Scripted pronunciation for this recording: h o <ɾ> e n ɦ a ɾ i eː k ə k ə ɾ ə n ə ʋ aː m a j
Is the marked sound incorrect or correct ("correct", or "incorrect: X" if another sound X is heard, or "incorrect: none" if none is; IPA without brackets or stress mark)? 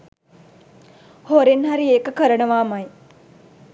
correct